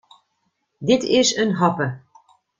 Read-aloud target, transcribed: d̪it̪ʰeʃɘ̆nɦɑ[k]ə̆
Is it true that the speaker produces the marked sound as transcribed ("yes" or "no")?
no